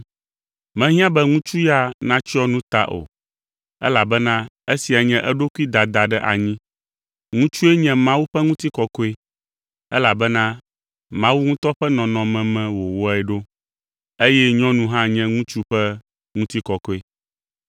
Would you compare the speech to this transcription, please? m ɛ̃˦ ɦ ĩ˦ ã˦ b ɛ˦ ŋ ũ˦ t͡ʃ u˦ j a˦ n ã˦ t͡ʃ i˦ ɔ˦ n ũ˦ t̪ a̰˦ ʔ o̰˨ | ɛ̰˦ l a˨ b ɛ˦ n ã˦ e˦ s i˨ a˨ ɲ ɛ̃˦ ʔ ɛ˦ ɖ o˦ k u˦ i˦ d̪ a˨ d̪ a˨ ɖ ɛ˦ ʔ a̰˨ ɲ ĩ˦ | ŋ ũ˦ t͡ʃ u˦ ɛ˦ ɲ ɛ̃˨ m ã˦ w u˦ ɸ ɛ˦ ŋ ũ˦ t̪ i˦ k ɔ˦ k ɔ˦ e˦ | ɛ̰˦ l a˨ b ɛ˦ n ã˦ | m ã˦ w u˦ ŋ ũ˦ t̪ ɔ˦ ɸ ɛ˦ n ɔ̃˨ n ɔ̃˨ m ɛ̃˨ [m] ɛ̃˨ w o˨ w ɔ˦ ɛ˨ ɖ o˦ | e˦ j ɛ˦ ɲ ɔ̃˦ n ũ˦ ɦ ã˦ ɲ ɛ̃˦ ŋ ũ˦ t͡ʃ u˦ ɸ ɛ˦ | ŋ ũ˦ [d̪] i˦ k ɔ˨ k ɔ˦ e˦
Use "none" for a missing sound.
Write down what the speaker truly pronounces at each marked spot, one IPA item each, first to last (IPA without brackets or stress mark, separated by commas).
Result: m, t̪